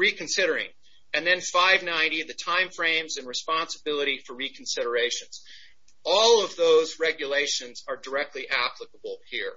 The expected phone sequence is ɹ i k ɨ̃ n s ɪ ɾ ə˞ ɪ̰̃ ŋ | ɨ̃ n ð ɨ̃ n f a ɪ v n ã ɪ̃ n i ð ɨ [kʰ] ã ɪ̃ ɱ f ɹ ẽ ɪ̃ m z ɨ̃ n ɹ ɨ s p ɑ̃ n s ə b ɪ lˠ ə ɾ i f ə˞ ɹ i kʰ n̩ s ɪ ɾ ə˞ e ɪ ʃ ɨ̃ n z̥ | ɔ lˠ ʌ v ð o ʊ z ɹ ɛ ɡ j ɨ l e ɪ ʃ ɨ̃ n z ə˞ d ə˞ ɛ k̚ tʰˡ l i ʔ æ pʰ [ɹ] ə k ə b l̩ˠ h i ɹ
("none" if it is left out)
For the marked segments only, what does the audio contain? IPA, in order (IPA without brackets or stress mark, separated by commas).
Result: tʰ, l